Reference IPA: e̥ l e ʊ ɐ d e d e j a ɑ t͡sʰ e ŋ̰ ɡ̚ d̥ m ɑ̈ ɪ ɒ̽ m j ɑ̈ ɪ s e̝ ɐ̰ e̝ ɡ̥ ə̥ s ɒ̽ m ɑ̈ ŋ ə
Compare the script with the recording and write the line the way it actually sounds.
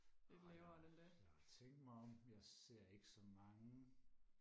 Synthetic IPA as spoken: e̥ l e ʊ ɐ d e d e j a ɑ t͡sʰ e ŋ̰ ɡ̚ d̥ m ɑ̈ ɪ ɒ̽ m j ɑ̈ ɪ s e̝ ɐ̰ e̝ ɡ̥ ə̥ s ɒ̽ m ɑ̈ ŋ ə